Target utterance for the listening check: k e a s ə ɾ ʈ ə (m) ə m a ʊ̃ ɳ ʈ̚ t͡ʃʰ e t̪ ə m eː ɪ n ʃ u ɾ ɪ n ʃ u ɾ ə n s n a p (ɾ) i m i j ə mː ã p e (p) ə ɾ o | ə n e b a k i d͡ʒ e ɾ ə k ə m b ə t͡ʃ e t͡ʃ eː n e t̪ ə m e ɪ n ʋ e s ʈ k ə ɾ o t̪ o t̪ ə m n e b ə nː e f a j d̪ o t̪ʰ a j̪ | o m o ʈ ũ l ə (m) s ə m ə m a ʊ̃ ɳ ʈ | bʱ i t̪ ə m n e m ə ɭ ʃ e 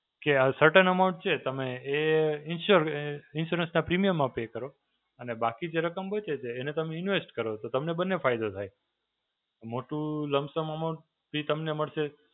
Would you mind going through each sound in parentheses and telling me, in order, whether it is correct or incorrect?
incorrect: n, correct, incorrect: k, correct

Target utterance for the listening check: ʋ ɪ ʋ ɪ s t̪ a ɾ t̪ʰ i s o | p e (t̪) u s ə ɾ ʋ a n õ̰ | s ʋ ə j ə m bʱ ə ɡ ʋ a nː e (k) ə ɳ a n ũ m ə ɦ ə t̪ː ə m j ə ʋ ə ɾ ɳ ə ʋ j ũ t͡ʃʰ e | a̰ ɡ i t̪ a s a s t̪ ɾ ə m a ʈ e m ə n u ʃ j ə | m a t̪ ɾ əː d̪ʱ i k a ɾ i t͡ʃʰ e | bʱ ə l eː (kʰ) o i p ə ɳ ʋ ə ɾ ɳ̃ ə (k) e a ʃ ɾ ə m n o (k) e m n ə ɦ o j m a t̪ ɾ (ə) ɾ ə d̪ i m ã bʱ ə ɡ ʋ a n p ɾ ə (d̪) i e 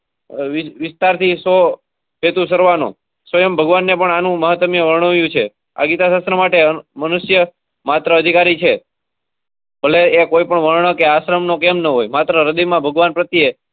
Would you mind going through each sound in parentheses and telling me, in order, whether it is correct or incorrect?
correct, incorrect: p, incorrect: k, correct, correct, correct, incorrect: t̪

